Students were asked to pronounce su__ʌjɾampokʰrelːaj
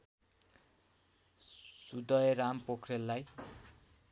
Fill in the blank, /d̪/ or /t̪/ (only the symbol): d̪